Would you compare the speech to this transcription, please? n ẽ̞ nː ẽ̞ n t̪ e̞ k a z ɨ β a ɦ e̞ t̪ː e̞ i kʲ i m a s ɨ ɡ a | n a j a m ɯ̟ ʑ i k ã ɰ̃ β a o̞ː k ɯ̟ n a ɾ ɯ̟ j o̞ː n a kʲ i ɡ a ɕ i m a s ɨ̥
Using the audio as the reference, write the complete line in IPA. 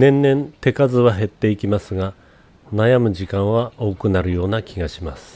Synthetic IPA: n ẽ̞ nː ẽ̞ n t̪ e̞ k a z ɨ β a ɦ e̞ t̪ː e̞ i kʲ i m a s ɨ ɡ a | n a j a m ɯ̟ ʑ i k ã ɰ̃ β a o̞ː k ɯ̟ n a ɾ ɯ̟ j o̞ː n a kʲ i ɡ a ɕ i m a s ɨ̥